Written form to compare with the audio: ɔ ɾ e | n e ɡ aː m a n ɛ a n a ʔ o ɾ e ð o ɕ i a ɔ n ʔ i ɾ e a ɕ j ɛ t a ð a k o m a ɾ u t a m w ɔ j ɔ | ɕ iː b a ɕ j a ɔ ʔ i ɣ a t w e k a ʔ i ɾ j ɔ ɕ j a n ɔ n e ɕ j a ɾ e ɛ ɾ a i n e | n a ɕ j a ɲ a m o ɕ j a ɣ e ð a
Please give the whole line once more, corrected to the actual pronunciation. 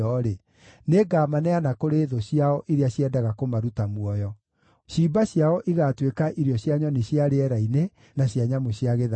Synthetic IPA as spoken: ɔ ɾ e | n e ɡ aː m a n ɛ a n a k o ɾ e ð o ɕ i a ɔ ʔ i ɾ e a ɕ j ɛ d a ɣ a k o m a ɾ u t a m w ɔ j ɔ | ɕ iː b a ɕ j a ɔ ʔ i ɣ a t w e k a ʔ i ɾ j ɔ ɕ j a ɲ ɔ n e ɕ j a ɾ e ɛ ɾ a i n e | n a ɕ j a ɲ a m o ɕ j a ɣ e ð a